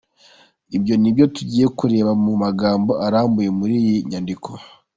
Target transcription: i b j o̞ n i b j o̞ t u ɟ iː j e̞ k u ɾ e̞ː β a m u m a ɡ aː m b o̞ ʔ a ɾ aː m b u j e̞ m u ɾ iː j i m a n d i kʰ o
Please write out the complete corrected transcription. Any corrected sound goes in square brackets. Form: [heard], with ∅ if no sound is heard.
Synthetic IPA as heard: i b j o̞ n i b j o̞ t u ɟ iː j e̞ k u ɾ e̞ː β a m u m a ɡ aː m b o̞ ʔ a ɾ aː m b u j e̞ m u ɾ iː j i [ɲ] a n d i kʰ o

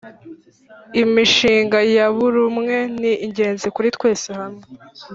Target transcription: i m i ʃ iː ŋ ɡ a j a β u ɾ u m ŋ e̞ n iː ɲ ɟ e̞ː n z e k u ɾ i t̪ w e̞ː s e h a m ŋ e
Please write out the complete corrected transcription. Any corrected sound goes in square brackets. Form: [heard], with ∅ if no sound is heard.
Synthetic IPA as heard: i m i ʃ iː ŋ ɡ a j a β u ɾ u m ŋ e̞ n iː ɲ ɟ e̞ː n z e k u ɾ i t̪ w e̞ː s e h a m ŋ e

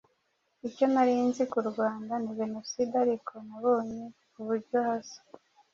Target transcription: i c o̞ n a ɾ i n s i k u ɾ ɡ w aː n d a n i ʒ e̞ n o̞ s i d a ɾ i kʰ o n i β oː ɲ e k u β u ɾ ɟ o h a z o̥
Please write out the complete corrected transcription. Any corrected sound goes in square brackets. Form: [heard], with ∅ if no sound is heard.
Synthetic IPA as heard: i c o̞ n a ɾ i n [z] i k u ɾ ɡ w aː n d a n i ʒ e̞ n o̞ s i d a ɾ i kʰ o n [a] β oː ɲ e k u β u ɾ ɟ o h a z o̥

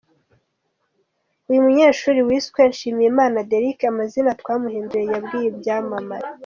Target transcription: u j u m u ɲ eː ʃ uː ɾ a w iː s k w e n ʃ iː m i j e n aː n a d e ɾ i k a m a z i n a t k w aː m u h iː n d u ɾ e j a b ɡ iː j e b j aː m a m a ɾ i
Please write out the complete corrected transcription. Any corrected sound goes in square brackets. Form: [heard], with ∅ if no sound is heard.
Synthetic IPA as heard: u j u m u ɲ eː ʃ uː ɾ [i] w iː s k w e n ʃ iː m i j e [m] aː n a d e ɾ i k a m a z i n a t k w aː m u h iː n d u ɾ e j a b ɡ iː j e b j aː m a m a ɾ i

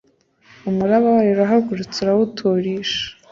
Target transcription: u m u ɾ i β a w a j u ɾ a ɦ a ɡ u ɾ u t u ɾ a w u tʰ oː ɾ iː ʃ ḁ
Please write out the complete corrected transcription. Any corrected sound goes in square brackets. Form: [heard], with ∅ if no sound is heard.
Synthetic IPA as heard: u m u ɾ [a] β a w a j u ɾ a ɦ a ɡ u ɾ u [t͡s] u ɾ a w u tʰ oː ɾ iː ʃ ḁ

